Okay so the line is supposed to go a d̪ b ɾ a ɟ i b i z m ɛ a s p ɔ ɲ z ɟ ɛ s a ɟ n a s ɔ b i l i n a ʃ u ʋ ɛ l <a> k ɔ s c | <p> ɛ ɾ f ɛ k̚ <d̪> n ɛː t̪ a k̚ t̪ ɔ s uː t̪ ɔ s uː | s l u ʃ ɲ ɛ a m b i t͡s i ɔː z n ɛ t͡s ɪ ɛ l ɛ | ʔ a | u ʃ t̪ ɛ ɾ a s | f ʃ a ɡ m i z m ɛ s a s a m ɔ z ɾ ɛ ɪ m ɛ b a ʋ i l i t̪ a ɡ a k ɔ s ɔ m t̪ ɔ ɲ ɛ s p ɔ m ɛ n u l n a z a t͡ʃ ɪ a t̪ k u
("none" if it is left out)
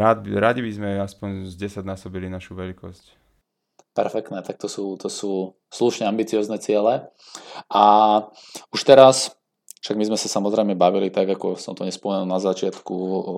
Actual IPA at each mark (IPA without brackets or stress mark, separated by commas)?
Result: i, p, t̪